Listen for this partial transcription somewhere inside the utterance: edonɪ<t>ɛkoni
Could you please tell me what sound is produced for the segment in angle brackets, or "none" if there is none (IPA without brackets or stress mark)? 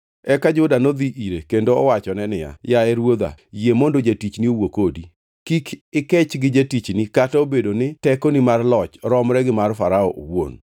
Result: t